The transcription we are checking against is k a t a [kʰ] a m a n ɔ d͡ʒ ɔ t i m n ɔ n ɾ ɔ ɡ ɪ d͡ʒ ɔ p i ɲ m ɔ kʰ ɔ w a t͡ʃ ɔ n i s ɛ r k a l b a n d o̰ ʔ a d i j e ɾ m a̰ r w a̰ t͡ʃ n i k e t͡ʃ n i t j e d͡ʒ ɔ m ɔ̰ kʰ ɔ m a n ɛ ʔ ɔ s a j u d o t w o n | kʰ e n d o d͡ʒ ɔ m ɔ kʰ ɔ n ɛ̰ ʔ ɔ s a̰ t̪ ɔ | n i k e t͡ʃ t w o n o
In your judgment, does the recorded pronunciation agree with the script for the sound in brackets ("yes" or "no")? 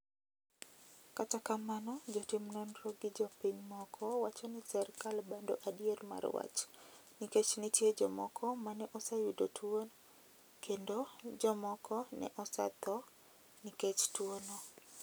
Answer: no